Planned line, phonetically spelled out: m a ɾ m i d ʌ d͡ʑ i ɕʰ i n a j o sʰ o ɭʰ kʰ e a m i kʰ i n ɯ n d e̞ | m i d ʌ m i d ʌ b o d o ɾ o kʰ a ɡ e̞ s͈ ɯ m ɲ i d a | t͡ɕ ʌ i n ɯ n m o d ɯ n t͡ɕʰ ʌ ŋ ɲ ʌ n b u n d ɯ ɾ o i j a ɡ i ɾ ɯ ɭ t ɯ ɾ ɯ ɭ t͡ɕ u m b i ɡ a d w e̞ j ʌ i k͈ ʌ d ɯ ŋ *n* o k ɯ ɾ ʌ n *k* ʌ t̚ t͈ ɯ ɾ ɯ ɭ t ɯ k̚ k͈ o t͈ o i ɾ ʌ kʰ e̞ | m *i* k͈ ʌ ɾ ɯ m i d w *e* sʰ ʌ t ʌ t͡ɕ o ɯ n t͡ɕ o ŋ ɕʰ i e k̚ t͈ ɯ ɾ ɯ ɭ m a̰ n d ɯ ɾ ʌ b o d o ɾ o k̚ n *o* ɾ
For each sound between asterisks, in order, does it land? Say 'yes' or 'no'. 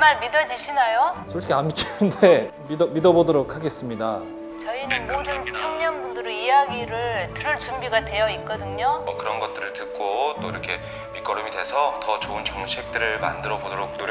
no, no, yes, yes, yes

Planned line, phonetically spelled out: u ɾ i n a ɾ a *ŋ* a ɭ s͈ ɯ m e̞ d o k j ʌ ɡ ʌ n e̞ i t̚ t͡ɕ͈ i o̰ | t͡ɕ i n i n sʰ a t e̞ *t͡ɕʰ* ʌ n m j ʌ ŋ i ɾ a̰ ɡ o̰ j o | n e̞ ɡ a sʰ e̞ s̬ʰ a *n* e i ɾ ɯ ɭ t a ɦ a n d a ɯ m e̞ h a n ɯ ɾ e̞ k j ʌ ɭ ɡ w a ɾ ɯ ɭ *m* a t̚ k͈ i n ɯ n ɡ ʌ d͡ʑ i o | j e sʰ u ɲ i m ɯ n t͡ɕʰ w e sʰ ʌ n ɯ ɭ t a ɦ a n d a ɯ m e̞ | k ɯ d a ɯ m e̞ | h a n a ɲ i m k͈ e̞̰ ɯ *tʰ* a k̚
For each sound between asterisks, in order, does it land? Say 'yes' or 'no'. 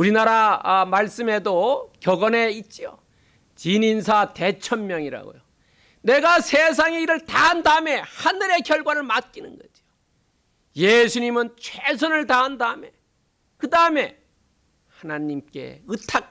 no, yes, no, yes, yes

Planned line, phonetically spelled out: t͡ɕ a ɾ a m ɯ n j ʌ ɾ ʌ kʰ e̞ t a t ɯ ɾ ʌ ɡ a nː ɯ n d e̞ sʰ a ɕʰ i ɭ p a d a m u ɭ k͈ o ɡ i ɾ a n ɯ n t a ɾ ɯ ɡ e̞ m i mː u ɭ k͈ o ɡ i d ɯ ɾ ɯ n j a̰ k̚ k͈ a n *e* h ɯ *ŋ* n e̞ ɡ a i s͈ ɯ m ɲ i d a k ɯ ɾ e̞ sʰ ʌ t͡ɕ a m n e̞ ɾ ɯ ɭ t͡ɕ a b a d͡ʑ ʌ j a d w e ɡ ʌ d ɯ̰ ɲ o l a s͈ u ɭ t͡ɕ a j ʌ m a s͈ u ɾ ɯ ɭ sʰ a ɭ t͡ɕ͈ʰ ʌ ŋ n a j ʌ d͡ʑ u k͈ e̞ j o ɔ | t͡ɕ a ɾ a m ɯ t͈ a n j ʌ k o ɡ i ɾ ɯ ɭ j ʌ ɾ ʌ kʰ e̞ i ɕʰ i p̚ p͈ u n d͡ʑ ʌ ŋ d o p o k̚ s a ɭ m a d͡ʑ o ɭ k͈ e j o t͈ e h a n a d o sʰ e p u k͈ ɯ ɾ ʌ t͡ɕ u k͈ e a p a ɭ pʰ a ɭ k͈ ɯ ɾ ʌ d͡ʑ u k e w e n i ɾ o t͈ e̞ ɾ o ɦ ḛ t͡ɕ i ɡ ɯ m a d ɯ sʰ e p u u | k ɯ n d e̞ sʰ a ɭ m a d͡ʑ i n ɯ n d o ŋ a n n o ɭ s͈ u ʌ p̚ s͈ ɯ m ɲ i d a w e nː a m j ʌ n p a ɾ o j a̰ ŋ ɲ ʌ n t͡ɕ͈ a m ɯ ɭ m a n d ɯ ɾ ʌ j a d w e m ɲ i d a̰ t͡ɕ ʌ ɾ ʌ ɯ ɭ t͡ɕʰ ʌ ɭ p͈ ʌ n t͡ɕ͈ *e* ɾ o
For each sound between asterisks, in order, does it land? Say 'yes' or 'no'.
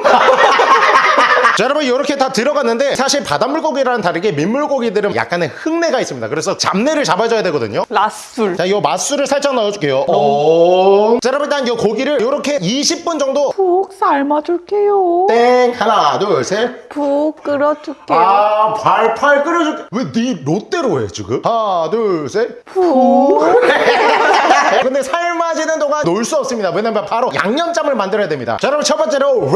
yes, yes, yes

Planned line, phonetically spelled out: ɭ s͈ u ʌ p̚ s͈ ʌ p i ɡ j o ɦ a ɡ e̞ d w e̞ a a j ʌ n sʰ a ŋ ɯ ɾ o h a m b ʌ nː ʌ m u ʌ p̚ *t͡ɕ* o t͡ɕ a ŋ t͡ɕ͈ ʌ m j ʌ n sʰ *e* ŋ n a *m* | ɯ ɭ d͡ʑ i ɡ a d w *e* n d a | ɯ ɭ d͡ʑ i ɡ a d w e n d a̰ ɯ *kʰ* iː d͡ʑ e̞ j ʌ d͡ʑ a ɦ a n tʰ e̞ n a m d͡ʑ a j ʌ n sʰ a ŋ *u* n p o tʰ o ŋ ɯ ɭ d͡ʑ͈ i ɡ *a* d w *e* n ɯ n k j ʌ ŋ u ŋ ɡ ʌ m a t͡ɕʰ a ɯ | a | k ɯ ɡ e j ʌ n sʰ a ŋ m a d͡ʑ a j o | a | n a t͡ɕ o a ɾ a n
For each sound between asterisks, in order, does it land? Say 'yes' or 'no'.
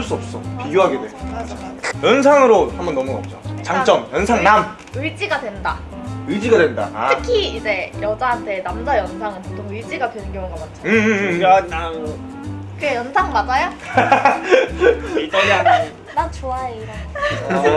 yes, no, yes, yes, yes, no, yes, yes

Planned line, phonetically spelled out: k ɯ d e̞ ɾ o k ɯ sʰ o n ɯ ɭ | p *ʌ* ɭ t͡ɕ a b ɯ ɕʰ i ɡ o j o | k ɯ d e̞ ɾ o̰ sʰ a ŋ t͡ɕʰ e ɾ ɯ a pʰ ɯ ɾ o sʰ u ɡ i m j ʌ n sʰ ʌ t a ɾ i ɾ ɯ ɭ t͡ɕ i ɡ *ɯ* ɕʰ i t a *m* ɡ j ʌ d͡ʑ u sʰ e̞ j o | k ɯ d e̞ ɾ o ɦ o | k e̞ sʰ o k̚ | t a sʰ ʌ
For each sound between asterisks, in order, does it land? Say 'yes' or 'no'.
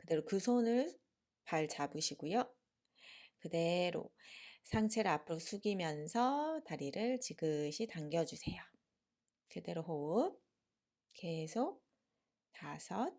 no, yes, no

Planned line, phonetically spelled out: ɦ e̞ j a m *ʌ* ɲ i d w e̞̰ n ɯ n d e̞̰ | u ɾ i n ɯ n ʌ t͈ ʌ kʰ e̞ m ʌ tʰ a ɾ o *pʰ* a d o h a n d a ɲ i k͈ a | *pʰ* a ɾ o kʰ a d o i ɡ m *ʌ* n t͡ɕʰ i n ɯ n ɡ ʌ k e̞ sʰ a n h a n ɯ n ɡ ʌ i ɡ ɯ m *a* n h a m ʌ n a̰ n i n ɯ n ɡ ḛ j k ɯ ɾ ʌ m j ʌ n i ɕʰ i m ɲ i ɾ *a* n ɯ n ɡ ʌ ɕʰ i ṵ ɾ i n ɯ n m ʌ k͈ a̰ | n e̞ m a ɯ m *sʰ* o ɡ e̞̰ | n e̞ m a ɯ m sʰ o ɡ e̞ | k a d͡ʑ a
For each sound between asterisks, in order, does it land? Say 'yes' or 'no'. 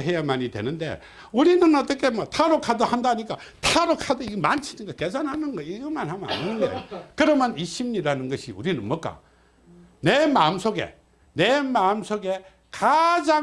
no, no, no, no, yes, yes, yes

